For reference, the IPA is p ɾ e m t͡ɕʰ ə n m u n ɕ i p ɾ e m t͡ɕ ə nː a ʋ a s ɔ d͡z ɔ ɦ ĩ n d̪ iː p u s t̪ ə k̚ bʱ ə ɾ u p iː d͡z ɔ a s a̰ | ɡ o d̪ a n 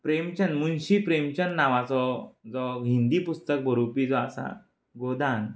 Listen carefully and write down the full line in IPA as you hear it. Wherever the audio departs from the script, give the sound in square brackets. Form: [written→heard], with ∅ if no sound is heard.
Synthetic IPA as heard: p ɾ e m [t͡ɕʰ→t͡ɕ] ə n m u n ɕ i p ɾ e m t͡ɕ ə nː a ʋ a [s→t͡s] ɔ d͡z ɔ ɦ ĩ n d̪ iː p u s t̪ ə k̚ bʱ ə ɾ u p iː d͡z ɔ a s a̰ | ɡ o d̪ a n